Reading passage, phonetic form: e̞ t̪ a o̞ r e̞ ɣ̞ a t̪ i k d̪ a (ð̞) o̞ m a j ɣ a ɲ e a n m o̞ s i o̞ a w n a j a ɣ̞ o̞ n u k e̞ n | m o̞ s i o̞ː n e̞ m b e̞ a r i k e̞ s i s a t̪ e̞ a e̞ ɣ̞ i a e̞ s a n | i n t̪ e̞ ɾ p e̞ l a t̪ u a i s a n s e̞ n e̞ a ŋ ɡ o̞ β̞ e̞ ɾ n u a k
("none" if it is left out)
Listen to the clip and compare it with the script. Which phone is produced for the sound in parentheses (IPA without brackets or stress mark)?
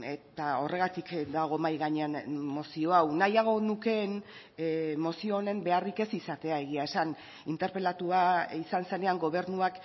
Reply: ɣ̞